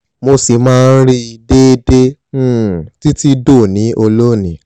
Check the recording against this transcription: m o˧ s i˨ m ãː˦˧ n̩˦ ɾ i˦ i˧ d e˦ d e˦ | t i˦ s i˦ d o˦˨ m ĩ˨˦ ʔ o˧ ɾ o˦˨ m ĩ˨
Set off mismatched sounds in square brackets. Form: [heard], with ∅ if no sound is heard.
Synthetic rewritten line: m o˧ s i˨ m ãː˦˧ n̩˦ ɾ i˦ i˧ d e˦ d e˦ | t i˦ [t] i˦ d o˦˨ [n] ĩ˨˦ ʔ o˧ [l] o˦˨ [n] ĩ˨

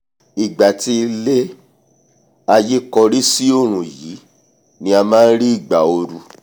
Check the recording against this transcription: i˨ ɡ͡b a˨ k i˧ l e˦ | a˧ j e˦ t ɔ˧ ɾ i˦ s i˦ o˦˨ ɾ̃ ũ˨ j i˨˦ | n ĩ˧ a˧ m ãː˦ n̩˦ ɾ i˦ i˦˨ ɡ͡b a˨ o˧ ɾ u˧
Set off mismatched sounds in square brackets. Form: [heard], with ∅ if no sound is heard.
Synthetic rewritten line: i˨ ɡ͡b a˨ [t] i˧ l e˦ | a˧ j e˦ [k] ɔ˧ ɾ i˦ s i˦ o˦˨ ɾ̃ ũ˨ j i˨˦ | n ĩ˧ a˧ m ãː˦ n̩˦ ɾ i˦ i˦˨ ɡ͡b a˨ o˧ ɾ u˧

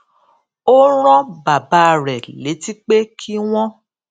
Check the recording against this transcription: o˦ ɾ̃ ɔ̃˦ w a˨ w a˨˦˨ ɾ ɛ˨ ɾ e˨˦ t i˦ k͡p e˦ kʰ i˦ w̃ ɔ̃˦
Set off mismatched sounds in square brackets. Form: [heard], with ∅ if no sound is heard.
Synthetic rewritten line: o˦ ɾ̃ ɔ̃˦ [b] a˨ [b] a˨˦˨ ɾ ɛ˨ [l] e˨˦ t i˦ k͡p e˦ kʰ i˦ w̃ ɔ̃˦

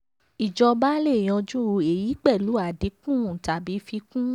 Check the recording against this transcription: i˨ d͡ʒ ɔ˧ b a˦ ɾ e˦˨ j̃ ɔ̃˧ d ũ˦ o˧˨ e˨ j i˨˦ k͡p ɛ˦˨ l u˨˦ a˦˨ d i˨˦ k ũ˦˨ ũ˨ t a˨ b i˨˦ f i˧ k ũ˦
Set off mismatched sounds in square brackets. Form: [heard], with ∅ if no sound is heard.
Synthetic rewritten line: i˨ d͡ʒ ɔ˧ b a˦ [l] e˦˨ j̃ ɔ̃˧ [d͡ʒ] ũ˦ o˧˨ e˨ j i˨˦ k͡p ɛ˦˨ l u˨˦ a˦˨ d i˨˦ k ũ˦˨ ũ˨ t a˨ b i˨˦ f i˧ k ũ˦

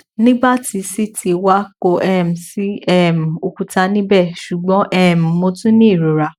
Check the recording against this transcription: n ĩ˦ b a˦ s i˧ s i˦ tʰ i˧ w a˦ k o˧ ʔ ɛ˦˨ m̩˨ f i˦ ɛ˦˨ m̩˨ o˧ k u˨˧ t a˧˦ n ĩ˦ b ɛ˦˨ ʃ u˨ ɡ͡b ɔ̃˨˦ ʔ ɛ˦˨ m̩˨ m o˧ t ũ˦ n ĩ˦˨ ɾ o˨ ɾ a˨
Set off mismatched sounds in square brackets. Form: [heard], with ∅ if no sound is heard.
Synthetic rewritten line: n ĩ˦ b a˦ [t] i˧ s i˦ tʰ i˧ w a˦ k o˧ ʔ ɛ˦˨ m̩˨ [s] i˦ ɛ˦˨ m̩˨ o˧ k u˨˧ t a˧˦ n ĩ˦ b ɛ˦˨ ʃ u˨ ɡ͡b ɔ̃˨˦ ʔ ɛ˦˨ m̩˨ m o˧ t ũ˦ n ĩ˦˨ ɾ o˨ ɾ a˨

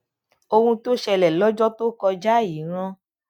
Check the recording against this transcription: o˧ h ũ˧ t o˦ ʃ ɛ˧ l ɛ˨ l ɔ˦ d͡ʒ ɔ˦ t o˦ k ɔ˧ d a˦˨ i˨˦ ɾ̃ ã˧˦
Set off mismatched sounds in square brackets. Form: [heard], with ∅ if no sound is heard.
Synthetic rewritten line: o˧ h ũ˧ t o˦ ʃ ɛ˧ l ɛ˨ l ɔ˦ d͡ʒ ɔ˦ t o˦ k ɔ˧ [d͡ʒ] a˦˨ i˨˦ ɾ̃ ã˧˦

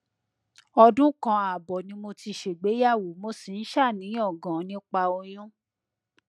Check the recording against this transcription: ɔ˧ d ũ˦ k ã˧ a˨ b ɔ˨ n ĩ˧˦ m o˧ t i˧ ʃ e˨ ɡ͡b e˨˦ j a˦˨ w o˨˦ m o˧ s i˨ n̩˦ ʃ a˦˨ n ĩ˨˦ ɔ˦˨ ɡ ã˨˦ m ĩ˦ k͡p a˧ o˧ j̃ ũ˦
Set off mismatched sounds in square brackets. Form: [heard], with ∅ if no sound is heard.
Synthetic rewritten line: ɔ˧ d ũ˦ k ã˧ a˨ b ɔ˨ n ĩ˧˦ m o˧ t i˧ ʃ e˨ ɡ͡b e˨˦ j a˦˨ w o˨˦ m o˧ s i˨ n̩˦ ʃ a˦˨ n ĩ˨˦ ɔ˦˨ ɡ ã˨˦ [n] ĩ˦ k͡p a˧ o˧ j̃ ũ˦

